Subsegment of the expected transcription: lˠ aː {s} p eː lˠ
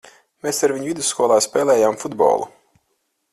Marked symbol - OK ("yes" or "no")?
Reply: yes